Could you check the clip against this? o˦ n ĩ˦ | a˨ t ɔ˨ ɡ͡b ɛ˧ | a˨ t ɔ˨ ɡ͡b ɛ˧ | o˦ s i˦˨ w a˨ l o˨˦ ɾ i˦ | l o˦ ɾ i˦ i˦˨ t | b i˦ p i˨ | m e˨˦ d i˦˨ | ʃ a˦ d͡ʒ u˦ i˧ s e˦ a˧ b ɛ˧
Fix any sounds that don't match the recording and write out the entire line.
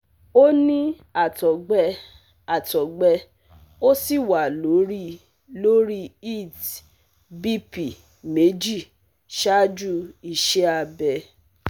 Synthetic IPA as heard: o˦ n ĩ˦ | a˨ t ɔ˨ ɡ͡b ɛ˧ | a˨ t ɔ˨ ɡ͡b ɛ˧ | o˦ s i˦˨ w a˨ l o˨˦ ɾ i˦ | l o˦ ɾ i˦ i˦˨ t | b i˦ p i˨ | m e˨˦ d͡ʒ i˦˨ | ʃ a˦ d͡ʒ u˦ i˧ ʃ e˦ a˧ b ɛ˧